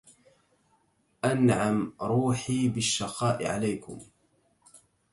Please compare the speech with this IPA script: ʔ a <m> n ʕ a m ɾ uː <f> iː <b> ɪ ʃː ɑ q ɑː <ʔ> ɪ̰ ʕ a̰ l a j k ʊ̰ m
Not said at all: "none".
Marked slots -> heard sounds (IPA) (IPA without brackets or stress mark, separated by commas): none, ħ, b, ʔ